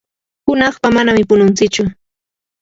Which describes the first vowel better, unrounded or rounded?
rounded